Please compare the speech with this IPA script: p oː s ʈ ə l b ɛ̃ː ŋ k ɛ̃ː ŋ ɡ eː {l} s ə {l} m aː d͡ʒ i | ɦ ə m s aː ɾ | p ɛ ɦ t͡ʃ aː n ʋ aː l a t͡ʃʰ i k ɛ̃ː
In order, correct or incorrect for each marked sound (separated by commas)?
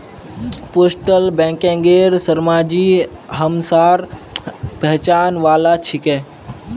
incorrect, incorrect